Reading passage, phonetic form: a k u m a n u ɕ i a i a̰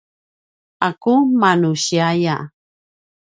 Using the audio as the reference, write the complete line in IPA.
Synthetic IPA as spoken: a k u m a n u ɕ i a j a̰